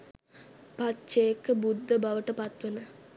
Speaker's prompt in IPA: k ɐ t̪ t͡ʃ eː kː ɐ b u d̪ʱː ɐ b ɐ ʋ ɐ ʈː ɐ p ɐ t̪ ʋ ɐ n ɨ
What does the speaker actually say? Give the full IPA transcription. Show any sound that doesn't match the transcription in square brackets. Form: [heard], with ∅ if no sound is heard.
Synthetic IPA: [p] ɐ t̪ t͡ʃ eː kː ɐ b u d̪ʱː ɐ b ɐ ʋ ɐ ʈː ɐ p ɐ t̪ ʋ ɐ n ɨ

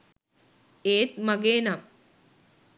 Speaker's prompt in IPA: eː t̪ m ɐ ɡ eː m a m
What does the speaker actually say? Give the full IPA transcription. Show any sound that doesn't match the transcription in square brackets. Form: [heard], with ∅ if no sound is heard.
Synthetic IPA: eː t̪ m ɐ ɡ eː [n] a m

